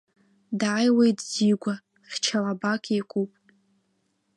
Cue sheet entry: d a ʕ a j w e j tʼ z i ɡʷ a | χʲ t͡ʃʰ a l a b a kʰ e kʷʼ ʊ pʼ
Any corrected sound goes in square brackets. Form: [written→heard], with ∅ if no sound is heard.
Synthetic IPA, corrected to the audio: d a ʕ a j w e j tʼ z i ɡʷ a | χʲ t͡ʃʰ a l a b a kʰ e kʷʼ [ʊ→u] pʼ